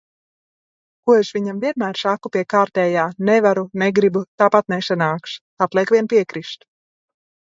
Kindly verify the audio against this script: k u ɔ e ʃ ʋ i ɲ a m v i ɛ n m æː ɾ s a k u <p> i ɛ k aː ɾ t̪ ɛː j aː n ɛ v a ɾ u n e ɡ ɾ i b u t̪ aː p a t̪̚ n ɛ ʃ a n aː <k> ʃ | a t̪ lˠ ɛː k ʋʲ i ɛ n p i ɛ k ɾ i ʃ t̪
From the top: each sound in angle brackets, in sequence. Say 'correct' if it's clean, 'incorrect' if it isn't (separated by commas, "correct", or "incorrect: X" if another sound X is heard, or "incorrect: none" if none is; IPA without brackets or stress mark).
correct, correct